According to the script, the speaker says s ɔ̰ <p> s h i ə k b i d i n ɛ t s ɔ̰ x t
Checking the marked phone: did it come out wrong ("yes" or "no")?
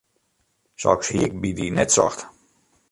yes